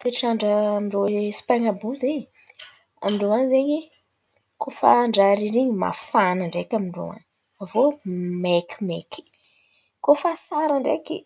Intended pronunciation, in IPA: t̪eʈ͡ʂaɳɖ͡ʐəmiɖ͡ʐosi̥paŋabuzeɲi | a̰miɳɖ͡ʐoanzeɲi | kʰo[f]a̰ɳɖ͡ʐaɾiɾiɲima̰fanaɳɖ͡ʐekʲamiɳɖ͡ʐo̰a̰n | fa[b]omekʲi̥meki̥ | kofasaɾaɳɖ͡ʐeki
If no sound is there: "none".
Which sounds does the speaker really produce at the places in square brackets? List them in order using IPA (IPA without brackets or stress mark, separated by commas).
f, v